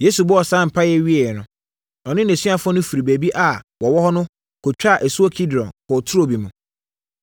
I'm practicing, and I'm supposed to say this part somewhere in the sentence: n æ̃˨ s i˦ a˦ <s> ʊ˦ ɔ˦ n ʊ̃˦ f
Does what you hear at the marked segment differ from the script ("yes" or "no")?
yes